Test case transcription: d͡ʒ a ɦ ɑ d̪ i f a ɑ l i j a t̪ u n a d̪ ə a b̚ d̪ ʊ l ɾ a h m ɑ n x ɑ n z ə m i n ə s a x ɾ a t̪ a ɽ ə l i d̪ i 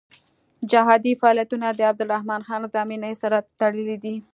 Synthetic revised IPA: d͡ʒ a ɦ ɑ d̪ i f a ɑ l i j a t̪ u n a d̪ ə a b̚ d̪ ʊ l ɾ a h m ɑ n x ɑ n z ɑ m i n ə s a ɾ a t̪ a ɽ ə l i d̪ i